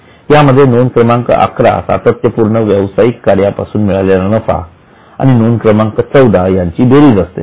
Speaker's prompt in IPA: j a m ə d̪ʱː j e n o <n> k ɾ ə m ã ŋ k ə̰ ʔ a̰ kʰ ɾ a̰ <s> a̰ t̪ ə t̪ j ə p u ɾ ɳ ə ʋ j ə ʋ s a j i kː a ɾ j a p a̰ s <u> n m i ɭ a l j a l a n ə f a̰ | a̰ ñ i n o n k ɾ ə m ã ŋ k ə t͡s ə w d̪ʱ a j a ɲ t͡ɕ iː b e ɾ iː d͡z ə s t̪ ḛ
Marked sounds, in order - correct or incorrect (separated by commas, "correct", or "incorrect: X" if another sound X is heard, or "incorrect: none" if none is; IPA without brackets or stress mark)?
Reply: correct, correct, incorrect: uː